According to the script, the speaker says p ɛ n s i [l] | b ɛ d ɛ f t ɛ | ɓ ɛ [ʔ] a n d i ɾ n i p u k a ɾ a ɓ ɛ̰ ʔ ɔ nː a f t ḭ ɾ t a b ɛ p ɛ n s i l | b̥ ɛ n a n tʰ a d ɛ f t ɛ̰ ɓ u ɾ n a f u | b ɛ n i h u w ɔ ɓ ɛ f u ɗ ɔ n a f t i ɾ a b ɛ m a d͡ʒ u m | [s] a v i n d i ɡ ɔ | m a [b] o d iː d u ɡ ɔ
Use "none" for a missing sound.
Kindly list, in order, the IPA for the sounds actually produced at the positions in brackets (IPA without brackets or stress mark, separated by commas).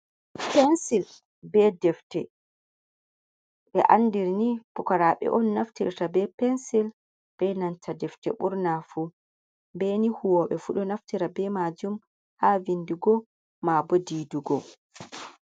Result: l, ʔ, h, b